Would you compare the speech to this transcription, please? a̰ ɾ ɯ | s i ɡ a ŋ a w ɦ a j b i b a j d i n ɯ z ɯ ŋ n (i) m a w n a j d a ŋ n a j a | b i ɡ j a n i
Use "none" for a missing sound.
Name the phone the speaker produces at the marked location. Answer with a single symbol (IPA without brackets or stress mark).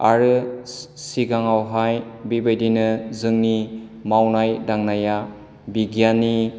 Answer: i